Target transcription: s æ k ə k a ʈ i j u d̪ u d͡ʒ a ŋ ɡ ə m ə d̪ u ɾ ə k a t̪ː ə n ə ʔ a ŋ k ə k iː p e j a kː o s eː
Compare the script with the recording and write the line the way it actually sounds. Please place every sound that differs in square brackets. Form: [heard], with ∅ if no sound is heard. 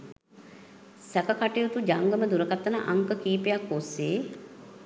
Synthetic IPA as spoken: s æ k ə k a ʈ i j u [t̪] u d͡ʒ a ŋ ɡ ə m ə d̪ u ɾ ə k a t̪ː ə n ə ʔ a ŋ k ə k iː p e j a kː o s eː